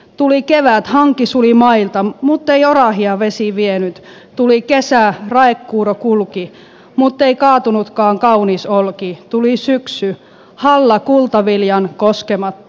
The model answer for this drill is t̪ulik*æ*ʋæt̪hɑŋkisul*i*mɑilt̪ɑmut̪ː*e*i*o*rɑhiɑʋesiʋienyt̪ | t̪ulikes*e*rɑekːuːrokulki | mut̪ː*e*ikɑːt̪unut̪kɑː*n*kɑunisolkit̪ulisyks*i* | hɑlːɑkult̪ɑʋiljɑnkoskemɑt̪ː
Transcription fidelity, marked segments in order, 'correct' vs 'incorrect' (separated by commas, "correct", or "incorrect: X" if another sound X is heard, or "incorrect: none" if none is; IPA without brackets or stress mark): incorrect: e, correct, correct, correct, incorrect: æ, correct, incorrect: ŋ, incorrect: y